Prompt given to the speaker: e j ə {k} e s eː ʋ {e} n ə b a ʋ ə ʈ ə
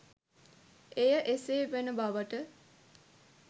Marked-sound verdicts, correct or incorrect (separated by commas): incorrect, correct